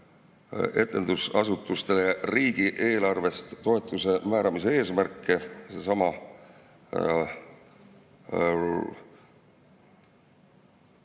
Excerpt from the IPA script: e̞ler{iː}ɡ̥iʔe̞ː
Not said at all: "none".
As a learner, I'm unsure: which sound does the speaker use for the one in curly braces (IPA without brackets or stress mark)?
iː